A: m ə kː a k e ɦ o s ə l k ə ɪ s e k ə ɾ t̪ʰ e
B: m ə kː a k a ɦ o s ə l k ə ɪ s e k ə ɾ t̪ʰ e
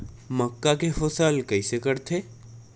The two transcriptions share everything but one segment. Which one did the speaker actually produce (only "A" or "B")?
A